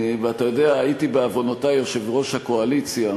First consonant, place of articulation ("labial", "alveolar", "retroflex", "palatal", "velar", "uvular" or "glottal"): labial